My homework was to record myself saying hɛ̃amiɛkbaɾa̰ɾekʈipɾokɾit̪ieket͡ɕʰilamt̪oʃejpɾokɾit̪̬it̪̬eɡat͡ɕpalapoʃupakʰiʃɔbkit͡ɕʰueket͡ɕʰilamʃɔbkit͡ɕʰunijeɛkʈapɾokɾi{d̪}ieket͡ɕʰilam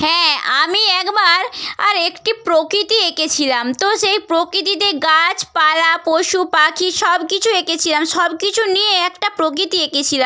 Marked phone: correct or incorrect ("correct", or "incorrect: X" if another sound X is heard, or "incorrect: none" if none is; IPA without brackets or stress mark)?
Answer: incorrect: t̪